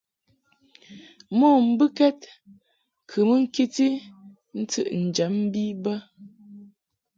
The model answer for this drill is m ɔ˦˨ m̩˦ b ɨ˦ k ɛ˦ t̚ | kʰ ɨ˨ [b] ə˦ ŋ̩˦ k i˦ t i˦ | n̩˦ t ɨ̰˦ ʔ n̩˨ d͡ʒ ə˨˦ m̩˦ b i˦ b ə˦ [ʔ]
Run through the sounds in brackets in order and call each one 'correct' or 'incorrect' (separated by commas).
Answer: incorrect, incorrect